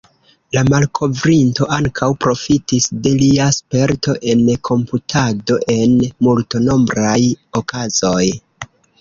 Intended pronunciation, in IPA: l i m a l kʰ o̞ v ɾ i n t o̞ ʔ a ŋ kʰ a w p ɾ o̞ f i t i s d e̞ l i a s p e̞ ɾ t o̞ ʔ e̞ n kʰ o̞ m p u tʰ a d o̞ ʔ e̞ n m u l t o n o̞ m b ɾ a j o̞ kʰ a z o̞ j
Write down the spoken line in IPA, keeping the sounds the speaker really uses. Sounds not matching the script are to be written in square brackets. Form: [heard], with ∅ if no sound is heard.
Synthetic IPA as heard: l [a] m a l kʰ o̞ v ɾ i n t o̞ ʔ a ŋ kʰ a w p ɾ o̞ f i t i s d e̞ l i a s p e̞ ɾ t o̞ ʔ e̞ n kʰ o̞ m p u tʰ a d o̞ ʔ e̞ n m u l t o n o̞ m b ɾ a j o̞ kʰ a z o̞ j